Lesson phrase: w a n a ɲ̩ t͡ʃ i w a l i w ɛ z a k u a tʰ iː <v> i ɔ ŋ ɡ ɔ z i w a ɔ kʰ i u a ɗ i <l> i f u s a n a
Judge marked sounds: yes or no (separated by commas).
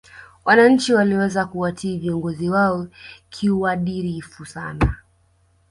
yes, no